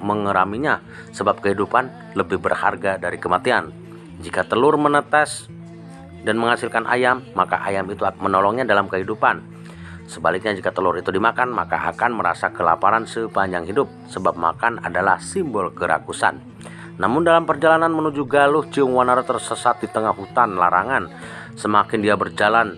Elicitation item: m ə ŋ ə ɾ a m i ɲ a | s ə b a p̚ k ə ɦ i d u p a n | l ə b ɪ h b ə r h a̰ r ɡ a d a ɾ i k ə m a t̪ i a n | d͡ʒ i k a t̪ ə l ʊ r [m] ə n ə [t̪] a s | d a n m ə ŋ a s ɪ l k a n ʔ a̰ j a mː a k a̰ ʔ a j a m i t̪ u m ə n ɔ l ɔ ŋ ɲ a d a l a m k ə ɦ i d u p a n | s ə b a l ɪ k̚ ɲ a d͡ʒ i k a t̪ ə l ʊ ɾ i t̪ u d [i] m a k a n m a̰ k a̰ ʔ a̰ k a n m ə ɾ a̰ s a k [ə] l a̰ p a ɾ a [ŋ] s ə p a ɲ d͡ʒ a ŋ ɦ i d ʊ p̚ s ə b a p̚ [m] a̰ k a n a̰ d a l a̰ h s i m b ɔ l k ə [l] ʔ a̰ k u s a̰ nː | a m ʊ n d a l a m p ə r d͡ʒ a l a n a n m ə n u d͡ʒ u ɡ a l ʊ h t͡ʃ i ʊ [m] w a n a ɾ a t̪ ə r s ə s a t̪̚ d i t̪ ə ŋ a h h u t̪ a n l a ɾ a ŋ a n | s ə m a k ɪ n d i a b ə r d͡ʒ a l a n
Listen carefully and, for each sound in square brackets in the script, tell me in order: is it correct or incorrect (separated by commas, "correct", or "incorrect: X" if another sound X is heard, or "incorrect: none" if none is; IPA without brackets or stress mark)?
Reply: correct, correct, correct, correct, incorrect: n, correct, incorrect: ɾ, incorrect: ŋ